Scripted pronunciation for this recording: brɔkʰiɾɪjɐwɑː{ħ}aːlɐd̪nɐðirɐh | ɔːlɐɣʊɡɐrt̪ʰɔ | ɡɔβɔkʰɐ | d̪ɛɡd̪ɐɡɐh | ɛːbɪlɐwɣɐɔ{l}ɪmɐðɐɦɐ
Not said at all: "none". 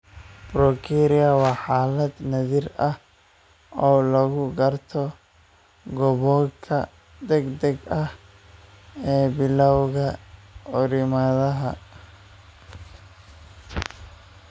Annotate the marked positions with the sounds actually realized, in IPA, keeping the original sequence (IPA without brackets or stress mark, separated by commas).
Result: ħ, ɾ